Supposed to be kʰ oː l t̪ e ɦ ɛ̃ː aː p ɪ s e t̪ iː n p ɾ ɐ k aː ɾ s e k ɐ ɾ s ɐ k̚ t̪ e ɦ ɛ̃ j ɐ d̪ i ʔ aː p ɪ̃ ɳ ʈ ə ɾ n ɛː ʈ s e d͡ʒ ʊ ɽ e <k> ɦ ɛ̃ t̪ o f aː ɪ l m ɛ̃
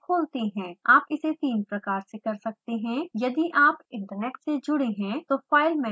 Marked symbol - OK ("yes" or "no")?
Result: no